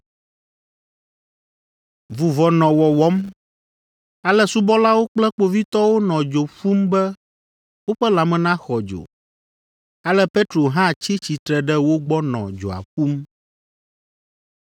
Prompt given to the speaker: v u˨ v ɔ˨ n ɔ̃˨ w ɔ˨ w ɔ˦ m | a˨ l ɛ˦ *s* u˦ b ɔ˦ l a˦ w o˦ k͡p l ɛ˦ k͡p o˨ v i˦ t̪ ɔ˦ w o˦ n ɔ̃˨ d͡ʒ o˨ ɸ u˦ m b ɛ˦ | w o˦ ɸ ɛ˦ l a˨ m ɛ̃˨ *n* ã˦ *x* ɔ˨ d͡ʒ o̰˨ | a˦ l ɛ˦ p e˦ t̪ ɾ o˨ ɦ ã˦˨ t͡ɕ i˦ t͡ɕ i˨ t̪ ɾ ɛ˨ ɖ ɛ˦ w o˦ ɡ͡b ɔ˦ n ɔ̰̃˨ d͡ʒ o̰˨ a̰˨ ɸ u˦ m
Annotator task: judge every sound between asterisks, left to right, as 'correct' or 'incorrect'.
correct, correct, correct

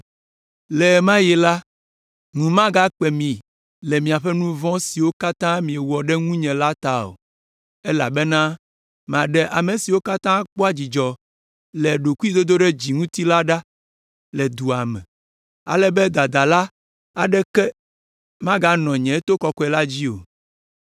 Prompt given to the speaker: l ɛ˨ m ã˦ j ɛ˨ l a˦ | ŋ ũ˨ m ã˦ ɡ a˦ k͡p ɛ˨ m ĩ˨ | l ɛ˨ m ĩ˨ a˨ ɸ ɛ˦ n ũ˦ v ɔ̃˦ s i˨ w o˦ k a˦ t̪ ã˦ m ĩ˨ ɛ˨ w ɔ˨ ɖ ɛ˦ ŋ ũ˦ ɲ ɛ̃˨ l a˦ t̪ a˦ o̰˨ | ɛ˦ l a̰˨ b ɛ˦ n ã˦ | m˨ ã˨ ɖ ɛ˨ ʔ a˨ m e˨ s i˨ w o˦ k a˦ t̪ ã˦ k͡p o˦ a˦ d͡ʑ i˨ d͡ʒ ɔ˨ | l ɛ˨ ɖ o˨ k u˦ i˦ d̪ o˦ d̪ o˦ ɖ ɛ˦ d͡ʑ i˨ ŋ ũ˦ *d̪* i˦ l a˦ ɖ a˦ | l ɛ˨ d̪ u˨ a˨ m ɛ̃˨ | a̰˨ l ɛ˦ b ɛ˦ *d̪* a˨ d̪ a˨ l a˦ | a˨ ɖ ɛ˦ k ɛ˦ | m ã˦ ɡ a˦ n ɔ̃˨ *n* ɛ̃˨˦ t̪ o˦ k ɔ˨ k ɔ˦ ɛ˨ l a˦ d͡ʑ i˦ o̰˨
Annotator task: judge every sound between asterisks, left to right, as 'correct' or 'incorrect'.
incorrect: t̪, correct, incorrect: ɲ

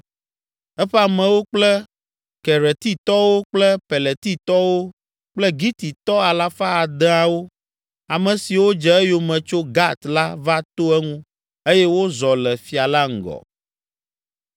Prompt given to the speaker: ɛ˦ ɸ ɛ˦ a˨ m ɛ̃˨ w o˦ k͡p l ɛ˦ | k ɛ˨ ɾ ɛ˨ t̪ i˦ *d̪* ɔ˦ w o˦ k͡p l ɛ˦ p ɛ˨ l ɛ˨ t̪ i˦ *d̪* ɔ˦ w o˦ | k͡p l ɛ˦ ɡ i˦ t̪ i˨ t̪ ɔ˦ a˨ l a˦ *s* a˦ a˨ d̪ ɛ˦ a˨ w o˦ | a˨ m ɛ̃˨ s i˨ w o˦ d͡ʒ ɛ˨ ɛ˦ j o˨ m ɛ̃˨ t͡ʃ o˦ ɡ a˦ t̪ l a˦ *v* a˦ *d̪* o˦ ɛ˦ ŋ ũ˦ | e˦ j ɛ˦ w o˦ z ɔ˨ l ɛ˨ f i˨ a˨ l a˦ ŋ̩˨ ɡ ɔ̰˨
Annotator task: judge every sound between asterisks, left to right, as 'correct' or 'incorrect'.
incorrect: t̪, incorrect: t̪, incorrect: f, correct, incorrect: t̪

